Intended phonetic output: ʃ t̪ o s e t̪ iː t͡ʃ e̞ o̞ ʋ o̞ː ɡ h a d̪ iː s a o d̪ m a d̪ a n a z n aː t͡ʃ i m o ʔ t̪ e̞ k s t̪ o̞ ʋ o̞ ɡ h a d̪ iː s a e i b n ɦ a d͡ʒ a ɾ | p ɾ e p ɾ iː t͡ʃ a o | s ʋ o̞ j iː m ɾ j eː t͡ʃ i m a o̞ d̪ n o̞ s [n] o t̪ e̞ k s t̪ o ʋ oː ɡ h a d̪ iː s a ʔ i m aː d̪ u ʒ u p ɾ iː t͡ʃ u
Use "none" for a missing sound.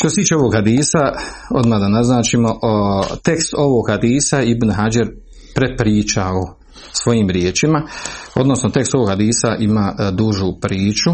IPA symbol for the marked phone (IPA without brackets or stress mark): n